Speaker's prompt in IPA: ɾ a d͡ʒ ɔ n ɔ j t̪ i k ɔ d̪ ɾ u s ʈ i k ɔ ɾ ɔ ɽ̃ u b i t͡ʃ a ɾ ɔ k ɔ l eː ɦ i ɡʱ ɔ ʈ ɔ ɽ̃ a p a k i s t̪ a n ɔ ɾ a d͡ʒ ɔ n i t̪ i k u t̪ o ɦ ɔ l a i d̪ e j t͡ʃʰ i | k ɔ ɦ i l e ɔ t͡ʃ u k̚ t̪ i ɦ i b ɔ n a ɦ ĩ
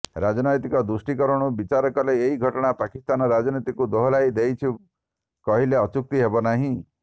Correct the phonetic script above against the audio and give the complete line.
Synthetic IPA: ɾ a d͡ʒ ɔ n ɔ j t̪ i k ɔ d̪ ɾ u s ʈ i k ɔ ɾ ɔ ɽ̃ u b i t͡ʃ a ɾ ɔ k ɔ l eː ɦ i ɡʱ ɔ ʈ ɔ ɽ̃ a p a k i s t̪ a n ɔ ɾ a d͡ʒ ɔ n i t̪ i k u d̪ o ɦ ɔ l a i d̪ e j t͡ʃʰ i | k ɔ ɦ i l e ɔ t͡ʃ u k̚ t̪ i ɦ e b ɔ n a ɦ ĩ